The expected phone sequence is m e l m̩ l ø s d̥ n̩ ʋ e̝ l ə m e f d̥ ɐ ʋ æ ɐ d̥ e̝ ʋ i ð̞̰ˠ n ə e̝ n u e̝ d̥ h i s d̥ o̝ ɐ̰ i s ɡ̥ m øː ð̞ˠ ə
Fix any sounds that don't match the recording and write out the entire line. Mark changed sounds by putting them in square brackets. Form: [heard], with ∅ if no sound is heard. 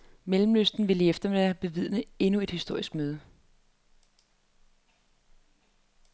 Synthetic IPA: m e l m̩ l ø s d̥ n̩ ʋ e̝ l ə [∅] e f d̥ ɐ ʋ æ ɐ [b̥] e̝ ʋ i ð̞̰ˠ n ə e̝ n u e̝ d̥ h i s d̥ o̝ ɐ̰ i s ɡ̥ m øː ð̞ˠ ə